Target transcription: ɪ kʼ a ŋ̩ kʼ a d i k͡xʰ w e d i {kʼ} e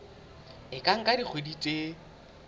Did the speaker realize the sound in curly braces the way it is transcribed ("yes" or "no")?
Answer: no